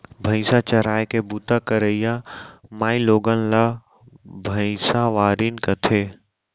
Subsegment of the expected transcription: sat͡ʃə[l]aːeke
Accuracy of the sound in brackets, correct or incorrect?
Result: incorrect